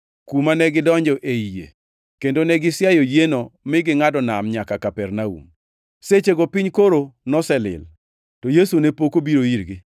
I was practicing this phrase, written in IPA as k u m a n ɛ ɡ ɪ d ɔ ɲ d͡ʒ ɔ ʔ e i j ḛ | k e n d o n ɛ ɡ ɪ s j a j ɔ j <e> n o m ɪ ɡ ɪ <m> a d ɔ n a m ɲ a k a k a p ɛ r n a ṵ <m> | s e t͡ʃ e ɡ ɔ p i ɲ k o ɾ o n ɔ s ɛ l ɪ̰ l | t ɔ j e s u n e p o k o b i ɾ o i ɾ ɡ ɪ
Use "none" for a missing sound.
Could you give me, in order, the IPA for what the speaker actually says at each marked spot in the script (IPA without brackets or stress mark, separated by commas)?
e, ŋ, m